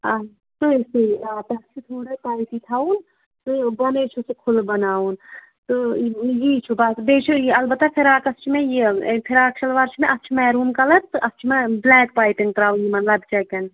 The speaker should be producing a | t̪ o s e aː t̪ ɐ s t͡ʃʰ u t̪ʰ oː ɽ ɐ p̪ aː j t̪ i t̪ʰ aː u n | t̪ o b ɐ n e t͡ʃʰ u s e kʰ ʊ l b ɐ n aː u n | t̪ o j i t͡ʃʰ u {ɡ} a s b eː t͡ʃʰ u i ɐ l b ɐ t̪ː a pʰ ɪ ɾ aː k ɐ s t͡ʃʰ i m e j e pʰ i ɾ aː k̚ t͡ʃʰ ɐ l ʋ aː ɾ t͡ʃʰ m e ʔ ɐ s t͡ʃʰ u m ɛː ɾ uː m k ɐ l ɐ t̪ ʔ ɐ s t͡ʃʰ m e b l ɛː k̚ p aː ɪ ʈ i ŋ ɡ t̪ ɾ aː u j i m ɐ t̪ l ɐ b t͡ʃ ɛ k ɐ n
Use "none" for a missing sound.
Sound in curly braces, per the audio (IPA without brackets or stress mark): b